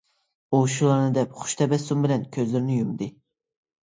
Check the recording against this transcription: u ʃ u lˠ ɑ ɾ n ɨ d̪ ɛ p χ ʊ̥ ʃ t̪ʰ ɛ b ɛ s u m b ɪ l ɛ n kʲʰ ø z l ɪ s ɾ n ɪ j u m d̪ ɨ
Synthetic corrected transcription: u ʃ u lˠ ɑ ɾ n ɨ d̪ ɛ p χ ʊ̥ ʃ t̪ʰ ɛ b ɛ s u m b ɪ l ɛ n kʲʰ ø z l ɪ ɾ n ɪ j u m d̪ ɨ